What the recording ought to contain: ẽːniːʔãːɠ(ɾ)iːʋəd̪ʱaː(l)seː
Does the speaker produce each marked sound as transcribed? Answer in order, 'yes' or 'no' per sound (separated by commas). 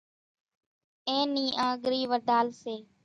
yes, yes